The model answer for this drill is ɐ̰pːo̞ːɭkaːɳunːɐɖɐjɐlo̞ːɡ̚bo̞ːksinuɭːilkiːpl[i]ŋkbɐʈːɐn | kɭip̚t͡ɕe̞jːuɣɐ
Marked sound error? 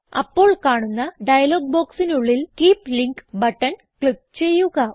no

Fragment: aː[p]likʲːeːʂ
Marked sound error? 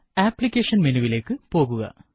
no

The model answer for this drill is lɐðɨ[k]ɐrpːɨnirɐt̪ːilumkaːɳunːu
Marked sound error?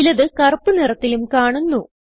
no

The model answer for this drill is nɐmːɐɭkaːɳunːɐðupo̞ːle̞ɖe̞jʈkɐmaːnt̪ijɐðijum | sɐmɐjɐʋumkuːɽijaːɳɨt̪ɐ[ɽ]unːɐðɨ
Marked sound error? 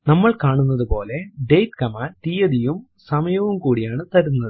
yes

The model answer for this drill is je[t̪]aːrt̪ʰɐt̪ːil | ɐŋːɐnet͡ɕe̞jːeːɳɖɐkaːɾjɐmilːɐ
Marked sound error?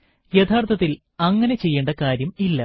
yes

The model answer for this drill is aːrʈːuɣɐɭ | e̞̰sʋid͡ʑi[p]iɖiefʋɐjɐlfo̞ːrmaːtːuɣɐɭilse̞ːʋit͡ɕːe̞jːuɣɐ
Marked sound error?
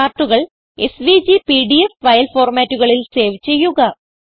no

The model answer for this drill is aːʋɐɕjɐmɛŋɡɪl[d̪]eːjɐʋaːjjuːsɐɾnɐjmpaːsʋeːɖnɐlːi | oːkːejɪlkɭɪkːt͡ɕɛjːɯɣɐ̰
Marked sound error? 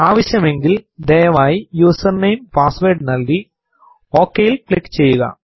no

